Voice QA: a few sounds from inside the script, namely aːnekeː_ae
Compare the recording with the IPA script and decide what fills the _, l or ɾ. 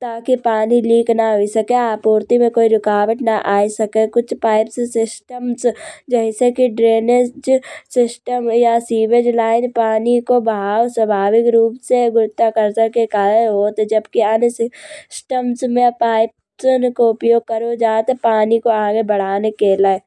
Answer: l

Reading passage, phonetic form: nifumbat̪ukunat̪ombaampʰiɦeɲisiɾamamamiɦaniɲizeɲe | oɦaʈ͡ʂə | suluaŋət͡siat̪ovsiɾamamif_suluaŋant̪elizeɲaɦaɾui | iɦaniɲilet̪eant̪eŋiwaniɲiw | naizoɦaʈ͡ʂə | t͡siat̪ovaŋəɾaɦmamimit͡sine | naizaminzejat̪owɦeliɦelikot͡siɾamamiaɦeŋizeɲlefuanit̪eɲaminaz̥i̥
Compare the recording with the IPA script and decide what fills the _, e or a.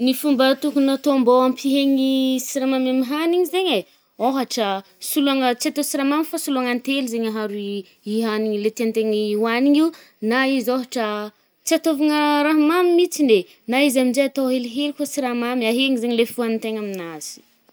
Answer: a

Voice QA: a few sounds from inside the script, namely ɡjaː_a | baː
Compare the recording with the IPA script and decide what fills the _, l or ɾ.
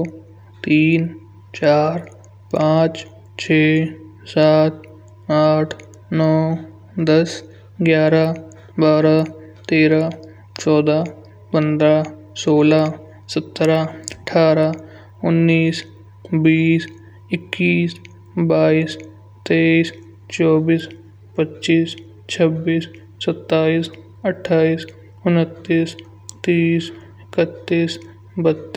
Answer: ɾ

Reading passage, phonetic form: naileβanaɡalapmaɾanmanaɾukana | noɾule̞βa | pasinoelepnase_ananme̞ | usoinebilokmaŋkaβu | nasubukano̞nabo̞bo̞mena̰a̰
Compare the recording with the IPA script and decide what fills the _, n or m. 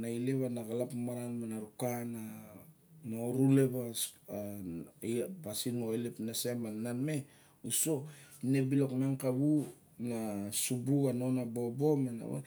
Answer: m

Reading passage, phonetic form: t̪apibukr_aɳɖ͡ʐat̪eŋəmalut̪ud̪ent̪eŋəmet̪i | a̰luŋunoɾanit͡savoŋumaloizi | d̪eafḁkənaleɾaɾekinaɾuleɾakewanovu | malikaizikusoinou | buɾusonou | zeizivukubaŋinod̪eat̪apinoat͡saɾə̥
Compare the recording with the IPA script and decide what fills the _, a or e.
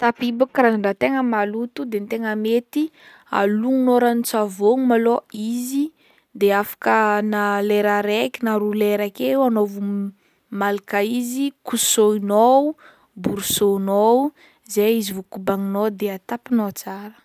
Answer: a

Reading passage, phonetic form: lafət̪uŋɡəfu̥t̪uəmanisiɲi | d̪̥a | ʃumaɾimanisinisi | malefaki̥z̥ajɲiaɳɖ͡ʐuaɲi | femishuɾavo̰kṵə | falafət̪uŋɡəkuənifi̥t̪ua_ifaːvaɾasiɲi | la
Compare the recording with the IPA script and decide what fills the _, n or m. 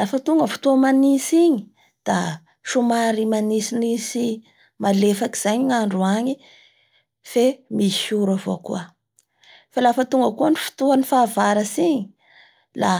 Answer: n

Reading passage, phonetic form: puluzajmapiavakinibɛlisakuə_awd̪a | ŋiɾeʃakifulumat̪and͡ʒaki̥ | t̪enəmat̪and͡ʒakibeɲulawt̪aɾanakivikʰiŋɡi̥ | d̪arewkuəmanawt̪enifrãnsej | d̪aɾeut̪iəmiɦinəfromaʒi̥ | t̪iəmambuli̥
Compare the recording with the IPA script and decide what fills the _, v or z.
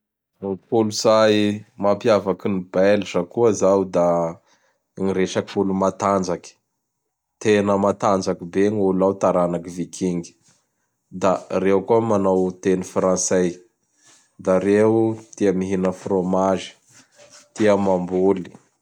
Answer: z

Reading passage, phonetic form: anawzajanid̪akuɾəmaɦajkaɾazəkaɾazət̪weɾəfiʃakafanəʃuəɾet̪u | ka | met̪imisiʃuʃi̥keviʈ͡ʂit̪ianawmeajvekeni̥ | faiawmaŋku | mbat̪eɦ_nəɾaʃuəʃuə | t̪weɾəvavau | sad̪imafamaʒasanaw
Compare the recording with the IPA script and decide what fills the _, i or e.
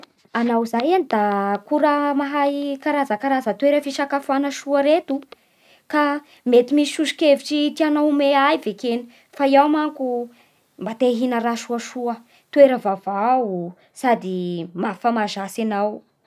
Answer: i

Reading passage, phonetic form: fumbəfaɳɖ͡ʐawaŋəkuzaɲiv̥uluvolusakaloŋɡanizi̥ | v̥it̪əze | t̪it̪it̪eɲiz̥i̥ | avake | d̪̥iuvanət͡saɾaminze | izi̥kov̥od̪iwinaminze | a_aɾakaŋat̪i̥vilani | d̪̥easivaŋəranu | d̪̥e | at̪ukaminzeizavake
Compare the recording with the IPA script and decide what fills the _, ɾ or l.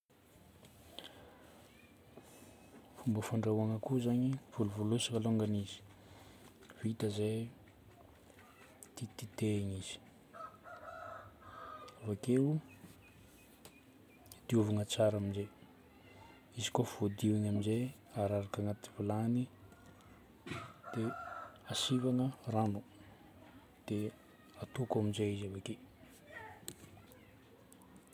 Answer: ɾ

